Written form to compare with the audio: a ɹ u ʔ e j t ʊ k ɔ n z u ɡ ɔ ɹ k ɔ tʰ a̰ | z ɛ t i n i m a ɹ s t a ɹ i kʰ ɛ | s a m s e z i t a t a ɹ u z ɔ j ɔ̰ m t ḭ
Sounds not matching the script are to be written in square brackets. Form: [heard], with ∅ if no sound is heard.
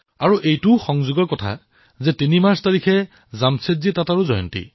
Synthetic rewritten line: a ɹ u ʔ e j t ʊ [x] ɔ [ŋ] z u ɡ ɔ ɹ k ɔ tʰ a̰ | z ɛ t i n i m a ɹ s t a ɹ i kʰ ɛ | [z] a m s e z i t a t a ɹ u z ɔ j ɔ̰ [n] t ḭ